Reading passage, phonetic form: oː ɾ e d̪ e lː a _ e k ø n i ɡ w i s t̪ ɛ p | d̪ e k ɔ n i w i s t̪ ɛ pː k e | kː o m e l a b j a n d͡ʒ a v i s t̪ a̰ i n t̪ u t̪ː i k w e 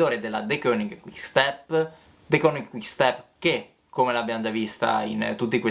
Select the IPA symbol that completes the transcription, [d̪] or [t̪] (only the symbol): d̪